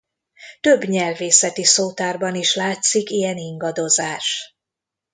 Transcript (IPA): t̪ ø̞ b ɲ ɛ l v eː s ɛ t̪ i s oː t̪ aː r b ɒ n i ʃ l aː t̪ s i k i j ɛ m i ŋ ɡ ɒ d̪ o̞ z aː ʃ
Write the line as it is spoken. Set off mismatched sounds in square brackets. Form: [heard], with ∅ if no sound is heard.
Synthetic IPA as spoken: t̪ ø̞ b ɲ ɛ l v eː s ɛ t̪ i s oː t̪ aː r b ɒ n i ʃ l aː t̪ s i k i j ɛ [n] i ŋ ɡ ɒ d̪ o̞ z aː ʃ